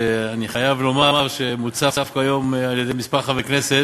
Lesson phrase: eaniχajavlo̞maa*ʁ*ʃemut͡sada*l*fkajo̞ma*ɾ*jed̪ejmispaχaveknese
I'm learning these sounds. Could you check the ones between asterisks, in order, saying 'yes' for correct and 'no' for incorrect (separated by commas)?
yes, no, no